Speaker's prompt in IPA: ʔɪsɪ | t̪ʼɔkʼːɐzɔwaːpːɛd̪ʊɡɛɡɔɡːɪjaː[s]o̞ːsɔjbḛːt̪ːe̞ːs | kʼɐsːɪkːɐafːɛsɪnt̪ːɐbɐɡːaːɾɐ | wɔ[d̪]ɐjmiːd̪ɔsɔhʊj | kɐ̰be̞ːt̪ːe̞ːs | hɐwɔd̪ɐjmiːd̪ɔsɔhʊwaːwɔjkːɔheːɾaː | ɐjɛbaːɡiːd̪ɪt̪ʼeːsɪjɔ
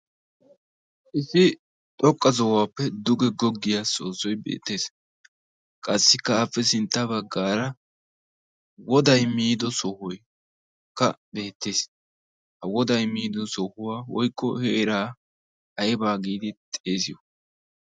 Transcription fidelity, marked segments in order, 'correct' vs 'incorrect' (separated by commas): correct, correct